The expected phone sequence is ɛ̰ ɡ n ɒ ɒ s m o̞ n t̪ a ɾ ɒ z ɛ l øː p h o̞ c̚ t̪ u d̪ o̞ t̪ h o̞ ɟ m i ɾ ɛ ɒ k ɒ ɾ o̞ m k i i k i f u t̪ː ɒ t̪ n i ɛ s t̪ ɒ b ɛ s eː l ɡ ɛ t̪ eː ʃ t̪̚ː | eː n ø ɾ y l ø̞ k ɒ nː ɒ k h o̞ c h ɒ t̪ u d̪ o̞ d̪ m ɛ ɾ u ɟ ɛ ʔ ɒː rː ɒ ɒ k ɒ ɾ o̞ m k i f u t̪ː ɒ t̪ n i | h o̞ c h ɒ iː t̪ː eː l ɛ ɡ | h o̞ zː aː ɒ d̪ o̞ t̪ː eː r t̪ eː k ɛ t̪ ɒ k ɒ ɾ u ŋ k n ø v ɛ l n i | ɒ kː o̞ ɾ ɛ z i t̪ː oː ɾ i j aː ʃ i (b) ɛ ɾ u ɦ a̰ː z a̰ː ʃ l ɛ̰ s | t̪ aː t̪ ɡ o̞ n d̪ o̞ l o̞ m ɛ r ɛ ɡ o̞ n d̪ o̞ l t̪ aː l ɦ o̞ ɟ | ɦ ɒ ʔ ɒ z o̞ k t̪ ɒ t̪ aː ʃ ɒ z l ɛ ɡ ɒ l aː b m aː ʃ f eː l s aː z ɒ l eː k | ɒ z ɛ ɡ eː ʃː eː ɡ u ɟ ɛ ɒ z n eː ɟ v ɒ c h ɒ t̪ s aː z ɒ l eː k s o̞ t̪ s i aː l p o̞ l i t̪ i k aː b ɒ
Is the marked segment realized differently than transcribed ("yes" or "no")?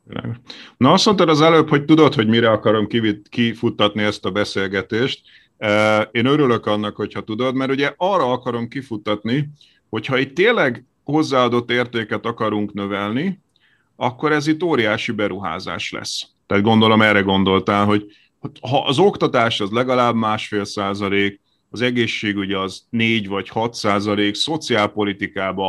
no